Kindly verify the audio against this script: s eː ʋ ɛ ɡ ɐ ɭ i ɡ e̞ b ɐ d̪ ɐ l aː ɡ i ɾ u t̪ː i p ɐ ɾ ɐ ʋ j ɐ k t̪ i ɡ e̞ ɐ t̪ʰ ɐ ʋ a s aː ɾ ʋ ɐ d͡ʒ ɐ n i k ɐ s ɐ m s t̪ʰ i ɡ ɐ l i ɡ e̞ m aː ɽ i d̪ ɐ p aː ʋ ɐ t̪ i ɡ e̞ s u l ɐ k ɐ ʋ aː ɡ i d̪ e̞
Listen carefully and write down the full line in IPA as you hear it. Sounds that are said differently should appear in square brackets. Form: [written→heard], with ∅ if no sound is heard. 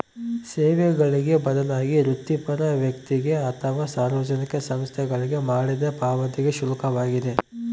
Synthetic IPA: s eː ʋ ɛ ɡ ɐ ɭ i ɡ e̞ b ɐ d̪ ɐ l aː ɡ i ɾ u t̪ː i p ɐ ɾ ɐ ʋ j ɐ k t̪ i ɡ e̞ ɐ t̪ʰ ɐ ʋ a s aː ɾ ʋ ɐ d͡ʒ ɐ n i k ɐ s ɐ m s t̪ʰ [i→ɛ] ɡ ɐ [l→ɭ] i ɡ e̞ m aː ɽ i d̪ ɐ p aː ʋ ɐ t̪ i ɡ e̞ [s→ʃ] u l ɐ k ɐ ʋ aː ɡ i d̪ e̞